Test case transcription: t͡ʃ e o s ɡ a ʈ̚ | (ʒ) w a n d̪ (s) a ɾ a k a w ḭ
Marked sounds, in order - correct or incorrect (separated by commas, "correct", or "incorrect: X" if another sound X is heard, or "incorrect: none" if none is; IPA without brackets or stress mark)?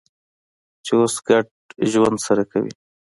correct, correct